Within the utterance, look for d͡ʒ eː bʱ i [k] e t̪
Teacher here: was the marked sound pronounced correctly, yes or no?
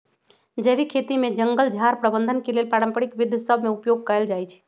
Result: no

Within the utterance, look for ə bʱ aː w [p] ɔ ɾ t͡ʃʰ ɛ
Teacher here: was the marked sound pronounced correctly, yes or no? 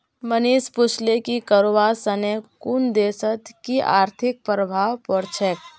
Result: yes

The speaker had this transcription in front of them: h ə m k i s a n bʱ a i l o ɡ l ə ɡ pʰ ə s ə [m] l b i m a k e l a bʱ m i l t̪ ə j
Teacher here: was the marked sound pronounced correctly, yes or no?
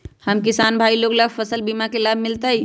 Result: no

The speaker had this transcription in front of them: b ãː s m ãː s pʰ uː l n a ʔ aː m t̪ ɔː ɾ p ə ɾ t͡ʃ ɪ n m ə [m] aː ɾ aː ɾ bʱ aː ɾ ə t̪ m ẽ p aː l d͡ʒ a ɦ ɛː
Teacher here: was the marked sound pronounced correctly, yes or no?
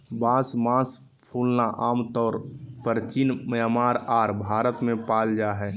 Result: yes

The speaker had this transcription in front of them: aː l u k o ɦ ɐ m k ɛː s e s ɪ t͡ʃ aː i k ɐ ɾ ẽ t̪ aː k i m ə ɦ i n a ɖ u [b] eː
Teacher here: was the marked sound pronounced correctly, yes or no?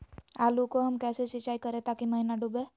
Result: yes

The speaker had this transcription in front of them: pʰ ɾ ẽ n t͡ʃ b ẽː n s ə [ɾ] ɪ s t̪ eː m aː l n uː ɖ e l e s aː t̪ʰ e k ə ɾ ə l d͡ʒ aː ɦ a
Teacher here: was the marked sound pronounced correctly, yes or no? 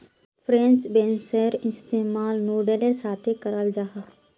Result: yes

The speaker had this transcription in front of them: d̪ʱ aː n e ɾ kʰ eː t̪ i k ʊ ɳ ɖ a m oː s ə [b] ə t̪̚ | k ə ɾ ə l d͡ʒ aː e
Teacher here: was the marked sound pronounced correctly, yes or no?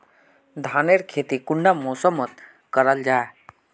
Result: no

